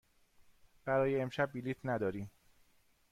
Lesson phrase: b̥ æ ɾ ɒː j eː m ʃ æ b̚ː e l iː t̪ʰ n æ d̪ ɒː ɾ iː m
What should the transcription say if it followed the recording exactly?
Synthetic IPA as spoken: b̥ æ ɾ ɒː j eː m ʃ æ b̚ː i l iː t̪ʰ n æ d̪ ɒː ɾ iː m